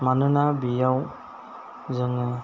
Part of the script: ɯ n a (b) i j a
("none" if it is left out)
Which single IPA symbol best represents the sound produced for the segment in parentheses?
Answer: b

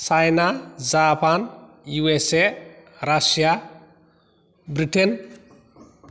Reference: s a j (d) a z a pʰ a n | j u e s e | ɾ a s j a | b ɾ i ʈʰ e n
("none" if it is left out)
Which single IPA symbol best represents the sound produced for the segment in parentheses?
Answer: n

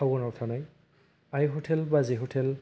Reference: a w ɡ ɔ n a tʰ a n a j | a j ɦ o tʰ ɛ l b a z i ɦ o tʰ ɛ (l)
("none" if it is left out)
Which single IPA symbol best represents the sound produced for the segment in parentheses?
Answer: l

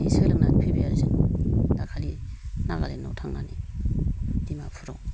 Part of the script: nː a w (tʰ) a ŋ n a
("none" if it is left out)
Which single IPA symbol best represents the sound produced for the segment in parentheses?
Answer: tʰ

